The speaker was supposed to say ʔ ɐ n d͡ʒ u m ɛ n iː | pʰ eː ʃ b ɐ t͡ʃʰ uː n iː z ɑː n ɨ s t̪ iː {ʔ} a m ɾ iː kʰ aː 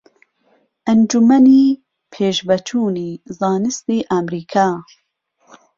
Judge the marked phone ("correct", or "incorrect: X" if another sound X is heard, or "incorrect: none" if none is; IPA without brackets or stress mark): correct